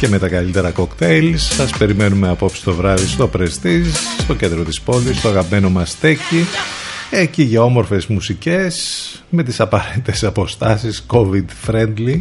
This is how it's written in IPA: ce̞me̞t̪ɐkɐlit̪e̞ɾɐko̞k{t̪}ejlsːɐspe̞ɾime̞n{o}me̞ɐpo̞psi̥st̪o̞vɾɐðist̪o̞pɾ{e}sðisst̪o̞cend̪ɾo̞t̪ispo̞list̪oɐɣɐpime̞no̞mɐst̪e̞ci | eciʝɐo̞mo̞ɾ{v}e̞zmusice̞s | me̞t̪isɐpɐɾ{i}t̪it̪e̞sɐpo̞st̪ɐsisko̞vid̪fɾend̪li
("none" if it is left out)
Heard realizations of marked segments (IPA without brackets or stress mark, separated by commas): t̪, u, e, f, e